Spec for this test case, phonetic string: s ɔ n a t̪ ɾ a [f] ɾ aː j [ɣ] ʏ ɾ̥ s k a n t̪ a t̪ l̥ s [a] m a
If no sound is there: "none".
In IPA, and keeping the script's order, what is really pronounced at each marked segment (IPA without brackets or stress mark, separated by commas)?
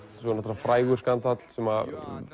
f, ɣ, ɛ